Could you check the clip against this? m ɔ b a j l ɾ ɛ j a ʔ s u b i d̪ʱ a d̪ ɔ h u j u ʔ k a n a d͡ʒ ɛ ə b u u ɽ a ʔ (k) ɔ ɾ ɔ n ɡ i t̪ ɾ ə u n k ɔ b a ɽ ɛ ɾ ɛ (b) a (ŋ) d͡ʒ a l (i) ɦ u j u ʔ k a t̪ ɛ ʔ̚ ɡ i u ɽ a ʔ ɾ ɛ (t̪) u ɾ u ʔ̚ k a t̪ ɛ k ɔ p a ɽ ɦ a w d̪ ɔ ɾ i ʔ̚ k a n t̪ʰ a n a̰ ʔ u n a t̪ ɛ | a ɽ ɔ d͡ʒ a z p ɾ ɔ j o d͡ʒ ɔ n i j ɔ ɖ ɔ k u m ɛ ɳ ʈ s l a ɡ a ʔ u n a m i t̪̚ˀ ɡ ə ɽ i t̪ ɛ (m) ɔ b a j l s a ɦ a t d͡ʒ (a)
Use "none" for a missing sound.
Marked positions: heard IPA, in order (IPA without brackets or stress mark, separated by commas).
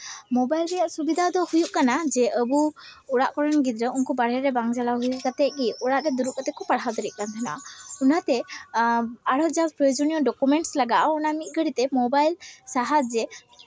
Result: k, b, ŋ, a, d̪, m, ɛ